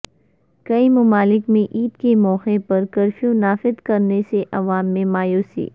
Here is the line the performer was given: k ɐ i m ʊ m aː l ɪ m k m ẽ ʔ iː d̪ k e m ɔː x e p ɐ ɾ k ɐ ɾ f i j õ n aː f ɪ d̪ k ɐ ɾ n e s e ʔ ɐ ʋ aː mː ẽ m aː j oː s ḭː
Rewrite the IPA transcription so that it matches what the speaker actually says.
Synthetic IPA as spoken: k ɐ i m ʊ m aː l ɪ k m ẽ ʔ iː d̪ k e m ɔː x e p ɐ ɾ k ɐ ɾ f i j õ n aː f ɪ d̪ k ɐ ɾ n e s e ʔ ɐ ʋ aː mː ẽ m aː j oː s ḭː

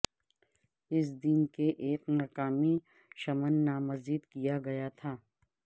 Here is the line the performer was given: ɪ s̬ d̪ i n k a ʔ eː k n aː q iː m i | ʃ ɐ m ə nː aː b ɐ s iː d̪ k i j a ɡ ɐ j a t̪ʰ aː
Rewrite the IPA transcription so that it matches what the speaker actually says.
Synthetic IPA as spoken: ɪ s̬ d̪ i n k e ʔ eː k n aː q aː m i | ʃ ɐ m ə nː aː m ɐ z iː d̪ k i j a ɡ ɐ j a t̪ʰ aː

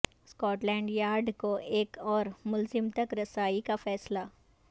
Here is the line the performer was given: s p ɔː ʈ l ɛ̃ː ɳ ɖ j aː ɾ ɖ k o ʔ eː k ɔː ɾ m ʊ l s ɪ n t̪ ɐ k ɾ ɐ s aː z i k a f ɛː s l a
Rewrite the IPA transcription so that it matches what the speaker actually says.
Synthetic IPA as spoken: s k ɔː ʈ l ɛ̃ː ɳ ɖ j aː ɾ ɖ k o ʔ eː k ɔː ɾ m ʊ l z ɪ m t̪ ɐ k ɾ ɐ s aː i k a f ɛː s l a

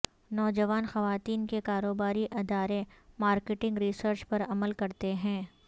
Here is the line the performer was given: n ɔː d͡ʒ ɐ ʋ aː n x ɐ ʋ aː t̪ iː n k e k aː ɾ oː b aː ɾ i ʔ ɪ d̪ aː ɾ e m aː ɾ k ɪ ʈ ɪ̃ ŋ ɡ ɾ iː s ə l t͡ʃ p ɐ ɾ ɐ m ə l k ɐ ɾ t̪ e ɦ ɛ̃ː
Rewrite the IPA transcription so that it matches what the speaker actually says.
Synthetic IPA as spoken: n ɔː d͡ʒ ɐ ʋ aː n x ɐ ʋ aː t̪ iː n k e k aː ɾ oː b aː ɾ i ʔ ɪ d̪ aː ɾ e m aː ɾ k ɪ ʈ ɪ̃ ŋ ɡ ɾ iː s ə ɾ t͡ʃ p ɐ ɾ ɐ m ə l k ɐ ɾ t̪ e ɦ ɛ̃ː

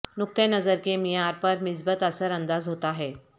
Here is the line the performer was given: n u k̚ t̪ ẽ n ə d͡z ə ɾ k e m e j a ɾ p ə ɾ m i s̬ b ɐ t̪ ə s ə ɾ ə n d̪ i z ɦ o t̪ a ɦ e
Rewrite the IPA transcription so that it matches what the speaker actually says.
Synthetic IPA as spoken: n u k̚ t̪ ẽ n ə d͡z ə ɾ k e m i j a ɾ p ə ɾ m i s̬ b ə t̪ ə s ə ɾ ə n d̪ a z ɦ o t̪ a ɦ e

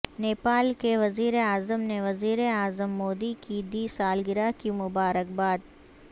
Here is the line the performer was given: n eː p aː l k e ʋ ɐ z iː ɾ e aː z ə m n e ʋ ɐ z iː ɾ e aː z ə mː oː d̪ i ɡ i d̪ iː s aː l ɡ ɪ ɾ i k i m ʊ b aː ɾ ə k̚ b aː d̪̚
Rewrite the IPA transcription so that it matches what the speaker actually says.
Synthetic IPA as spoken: n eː p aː l k e ʋ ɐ z iː ɾ e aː z ə m n e ʋ ɐ z iː ɾ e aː z ə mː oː d̪ i k i d̪ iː s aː l ɡ ɪ ɾ a k i m ʊ b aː ɾ ə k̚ b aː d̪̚

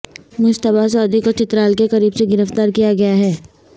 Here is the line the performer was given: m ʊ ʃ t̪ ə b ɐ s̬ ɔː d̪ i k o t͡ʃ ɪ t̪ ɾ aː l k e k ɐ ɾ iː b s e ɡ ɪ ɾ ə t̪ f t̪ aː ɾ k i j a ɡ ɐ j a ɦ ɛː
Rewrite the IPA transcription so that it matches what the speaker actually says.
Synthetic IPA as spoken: m ʊ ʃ t̪ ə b a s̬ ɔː d̪ i k o t͡ʃ ɪ t̪ ɾ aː l k e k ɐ ɾ iː b s e ɡ ɪ ɾ ə f t̪ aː ɾ k i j a ɡ ɐ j a ɦ ɛː

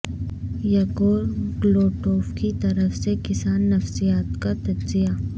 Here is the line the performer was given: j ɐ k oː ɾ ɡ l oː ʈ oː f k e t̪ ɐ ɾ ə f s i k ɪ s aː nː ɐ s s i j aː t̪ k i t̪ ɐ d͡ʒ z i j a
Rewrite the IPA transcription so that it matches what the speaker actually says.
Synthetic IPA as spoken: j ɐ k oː ɾ ɡ l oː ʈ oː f k i t̪ ɐ ɾ ə f s e k ɪ s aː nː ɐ f s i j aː t̪ k a t̪ ɐ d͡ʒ z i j a

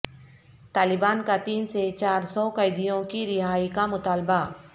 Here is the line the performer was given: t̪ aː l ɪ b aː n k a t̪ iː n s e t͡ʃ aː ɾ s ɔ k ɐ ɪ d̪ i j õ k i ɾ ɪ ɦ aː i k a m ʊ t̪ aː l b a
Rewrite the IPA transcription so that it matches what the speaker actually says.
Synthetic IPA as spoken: t̪ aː l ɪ b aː n k a t̪ iː n s e t͡ʃ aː ɾ s ɔ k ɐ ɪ d̪ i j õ k i ɾ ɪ ɦ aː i k a m ʊ t̪ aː l b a

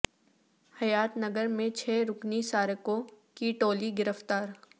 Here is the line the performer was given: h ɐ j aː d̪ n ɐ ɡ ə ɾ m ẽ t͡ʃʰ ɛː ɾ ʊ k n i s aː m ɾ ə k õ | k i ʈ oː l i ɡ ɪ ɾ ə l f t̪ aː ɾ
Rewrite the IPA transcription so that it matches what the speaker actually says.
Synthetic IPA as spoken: h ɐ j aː t̪ n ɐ ɡ ə ɾ m ẽ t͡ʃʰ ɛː ɾ ʊ k n i s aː ɾ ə k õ | k i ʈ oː l i ɡ ɪ ɾ ə f t̪ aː ɾ

